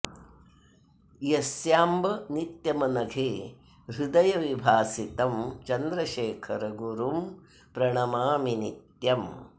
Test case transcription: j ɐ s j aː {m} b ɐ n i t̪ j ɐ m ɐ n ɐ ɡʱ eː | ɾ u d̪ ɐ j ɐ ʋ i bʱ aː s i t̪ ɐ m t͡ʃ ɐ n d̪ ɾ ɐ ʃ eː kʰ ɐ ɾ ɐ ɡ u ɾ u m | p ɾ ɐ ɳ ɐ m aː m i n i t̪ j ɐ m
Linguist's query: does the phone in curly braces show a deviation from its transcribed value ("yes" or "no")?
no